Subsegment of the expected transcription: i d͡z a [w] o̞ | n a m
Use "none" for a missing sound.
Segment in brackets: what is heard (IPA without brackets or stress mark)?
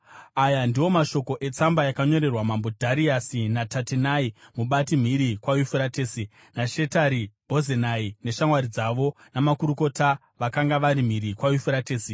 ʋ